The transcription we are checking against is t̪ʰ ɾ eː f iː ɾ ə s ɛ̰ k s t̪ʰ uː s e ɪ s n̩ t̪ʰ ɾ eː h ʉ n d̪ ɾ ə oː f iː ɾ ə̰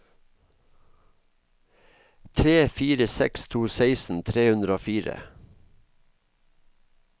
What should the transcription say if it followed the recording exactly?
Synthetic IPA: t̪ʰ ɾ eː f iː ɾ ə s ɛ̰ k s t̪ʰ uː s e ɪ s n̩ t̪ʰ ɾ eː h ʉ n d̪ ɾ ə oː f iː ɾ ə̰